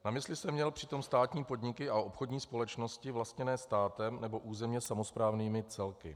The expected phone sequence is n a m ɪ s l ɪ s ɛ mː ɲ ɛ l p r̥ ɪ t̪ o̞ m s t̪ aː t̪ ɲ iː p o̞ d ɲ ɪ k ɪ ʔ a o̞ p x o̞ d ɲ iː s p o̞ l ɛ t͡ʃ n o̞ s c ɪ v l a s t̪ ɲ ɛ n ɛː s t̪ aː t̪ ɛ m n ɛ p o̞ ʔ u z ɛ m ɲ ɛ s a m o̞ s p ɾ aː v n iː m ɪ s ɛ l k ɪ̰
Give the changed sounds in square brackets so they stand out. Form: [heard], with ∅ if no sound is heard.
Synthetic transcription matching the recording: n a m ɪ s l ɪ s ɛ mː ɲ ɛ l p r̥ ɪ t̪ o̞ m s t̪ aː t̪ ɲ iː p o̞ d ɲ ɪ k ɪ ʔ a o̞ p x o̞ d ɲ iː s p o̞ l ɛ t͡ʃ n o̞ s c ɪ v l a s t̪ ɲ ɛ n ɛː s t̪ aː t̪ ɛ m n ɛ [b] o̞ ʔ [uː] z ɛ m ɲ ɛ s a m o̞ s p ɾ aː v n iː m ɪ [t͡s] ɛ l k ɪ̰